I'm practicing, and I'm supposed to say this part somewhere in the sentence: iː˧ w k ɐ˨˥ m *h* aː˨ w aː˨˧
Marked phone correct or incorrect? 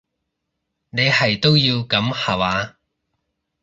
correct